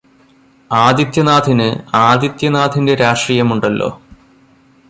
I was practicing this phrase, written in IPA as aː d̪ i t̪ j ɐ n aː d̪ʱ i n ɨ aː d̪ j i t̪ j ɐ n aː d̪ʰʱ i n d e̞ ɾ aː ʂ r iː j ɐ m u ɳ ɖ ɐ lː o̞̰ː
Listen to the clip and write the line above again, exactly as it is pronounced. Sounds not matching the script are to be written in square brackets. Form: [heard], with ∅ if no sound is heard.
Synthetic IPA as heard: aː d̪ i t̪ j ɐ n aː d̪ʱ i n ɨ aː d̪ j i t̪ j ɐ n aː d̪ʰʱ i n d e̞ ɾ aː ʂ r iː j ɐ m u ɳ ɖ ɐ lː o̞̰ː